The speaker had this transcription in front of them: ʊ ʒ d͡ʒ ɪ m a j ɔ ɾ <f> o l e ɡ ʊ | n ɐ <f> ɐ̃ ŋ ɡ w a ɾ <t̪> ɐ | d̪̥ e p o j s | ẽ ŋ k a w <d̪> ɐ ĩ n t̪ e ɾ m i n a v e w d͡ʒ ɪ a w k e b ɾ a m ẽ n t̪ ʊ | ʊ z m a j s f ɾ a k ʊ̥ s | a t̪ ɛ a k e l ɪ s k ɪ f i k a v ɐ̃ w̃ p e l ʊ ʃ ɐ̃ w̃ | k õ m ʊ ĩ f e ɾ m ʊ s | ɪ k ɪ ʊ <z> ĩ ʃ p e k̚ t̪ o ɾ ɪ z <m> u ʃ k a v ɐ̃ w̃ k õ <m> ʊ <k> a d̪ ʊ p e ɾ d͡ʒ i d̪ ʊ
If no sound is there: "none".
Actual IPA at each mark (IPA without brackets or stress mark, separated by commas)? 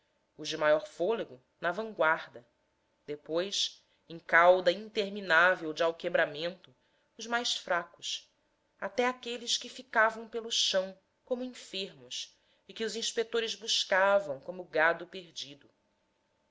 f, v, d̪, d̪, z, b, m, ɡ